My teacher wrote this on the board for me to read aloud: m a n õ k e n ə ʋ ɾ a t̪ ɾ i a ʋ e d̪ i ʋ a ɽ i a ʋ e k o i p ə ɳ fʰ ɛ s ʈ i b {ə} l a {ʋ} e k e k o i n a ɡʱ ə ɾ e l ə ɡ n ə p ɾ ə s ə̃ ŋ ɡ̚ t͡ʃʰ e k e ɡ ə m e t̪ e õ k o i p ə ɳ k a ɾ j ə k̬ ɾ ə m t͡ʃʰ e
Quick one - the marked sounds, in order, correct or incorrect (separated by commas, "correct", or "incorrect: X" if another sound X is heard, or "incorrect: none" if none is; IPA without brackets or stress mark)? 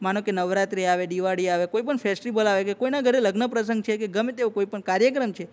correct, correct